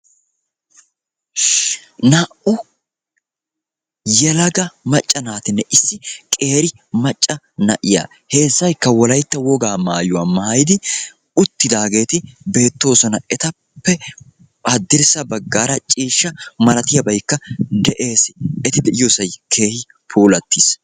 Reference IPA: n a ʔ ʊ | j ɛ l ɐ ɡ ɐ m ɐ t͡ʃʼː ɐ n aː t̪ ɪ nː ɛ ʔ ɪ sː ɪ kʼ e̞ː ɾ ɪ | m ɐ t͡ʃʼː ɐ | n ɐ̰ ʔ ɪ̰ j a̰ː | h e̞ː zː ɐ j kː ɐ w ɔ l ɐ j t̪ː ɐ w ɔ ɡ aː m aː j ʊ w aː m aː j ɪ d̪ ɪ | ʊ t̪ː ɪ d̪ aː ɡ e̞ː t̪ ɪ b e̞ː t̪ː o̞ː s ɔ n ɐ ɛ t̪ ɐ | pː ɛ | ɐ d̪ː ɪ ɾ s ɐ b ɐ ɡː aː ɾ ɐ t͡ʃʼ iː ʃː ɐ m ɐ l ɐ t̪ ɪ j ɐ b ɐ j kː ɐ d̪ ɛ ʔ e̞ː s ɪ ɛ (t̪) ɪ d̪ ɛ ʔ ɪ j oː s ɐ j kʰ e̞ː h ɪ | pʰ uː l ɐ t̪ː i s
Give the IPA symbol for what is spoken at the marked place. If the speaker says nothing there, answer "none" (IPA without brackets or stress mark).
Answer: t̪